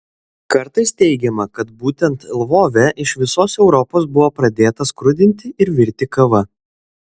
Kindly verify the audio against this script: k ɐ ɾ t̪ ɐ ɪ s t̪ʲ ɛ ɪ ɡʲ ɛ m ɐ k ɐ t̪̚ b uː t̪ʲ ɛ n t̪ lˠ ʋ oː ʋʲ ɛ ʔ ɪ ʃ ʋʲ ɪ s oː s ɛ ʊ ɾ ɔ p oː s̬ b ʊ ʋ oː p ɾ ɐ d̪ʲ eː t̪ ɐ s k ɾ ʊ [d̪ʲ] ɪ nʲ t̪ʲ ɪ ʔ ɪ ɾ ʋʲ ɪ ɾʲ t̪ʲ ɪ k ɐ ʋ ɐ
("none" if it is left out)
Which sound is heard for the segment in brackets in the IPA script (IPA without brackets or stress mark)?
d̪ʲ